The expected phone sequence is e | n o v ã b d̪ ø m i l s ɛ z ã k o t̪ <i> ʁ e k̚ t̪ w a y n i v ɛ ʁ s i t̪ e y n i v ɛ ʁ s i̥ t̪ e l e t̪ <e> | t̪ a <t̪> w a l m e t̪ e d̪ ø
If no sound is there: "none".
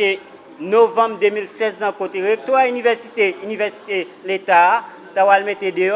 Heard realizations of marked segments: e, a, none

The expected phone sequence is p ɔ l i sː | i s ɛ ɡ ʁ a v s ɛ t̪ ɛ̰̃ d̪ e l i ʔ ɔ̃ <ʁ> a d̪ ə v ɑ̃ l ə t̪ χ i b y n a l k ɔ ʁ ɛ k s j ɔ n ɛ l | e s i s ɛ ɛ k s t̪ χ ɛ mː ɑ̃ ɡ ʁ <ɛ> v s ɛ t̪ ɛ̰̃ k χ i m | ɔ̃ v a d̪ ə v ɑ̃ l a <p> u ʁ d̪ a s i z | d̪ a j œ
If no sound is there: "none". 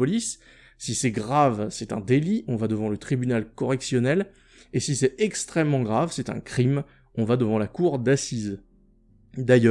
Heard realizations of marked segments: v, a, k

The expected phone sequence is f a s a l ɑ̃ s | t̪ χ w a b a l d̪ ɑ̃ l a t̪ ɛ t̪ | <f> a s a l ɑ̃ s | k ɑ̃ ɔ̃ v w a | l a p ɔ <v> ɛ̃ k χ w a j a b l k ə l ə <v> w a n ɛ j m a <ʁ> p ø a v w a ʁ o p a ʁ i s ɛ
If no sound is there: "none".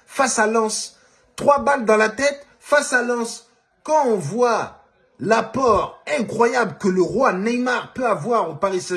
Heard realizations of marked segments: f, ʁ, ʁ, ʁ

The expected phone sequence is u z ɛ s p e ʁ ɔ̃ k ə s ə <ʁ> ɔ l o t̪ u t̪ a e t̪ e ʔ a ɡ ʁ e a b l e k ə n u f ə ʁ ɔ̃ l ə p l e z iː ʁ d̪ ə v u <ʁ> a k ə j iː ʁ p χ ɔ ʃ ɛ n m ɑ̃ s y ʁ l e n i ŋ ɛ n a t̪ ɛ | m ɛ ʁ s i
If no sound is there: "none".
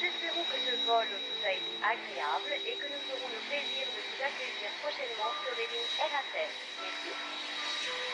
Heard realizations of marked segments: v, z

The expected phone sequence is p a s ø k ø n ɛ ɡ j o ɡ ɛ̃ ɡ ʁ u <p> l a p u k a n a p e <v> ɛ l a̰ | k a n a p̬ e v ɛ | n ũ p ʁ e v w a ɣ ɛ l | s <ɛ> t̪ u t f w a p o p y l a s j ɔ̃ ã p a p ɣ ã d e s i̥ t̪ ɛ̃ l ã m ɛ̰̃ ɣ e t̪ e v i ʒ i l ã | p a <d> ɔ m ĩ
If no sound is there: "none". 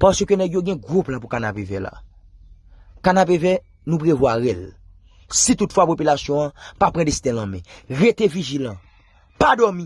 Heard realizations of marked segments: p, v, i, d

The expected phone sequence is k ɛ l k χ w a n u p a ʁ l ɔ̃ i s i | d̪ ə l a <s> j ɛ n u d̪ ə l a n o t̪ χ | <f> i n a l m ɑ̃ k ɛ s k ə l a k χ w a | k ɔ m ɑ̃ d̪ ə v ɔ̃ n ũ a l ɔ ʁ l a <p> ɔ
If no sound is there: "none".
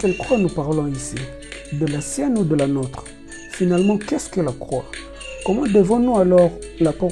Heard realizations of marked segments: s, f, p

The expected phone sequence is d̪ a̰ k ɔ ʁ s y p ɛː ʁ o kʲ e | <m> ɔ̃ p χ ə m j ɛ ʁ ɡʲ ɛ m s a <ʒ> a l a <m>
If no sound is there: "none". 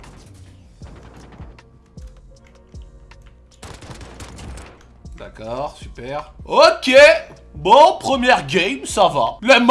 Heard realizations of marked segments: b, v, m

